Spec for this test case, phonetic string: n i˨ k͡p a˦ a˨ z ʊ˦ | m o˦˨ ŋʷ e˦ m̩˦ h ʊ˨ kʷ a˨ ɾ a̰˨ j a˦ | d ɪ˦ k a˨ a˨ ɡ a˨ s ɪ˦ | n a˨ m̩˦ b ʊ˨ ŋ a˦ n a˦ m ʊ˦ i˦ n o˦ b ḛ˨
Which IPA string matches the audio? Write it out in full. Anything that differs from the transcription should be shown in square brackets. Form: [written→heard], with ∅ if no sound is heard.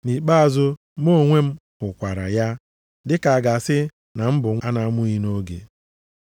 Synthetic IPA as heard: n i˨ k͡p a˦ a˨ z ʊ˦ | m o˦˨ ŋʷ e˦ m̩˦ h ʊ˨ kʷ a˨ ɾ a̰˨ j a˦ | d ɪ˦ k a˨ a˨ ɡ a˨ s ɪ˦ | n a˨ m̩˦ b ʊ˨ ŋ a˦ n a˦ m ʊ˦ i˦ n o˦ [b→ɡ] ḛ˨